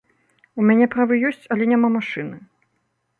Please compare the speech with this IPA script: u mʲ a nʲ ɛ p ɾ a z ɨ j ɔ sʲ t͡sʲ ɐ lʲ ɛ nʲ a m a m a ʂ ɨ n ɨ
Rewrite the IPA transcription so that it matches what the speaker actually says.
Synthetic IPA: u mʲ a nʲ ɛ p ɾ a v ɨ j ɔ sʲ t͡sʲ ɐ lʲ ɛ nʲ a m a m a ʂ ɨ n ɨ